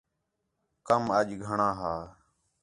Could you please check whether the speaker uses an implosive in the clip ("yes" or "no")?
yes